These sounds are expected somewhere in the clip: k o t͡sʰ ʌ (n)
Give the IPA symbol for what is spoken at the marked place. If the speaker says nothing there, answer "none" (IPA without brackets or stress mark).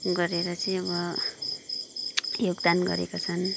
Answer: n